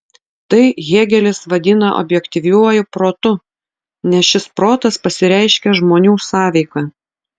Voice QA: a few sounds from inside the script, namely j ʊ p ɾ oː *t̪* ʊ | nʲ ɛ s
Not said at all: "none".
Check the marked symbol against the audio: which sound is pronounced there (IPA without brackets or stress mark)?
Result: t̪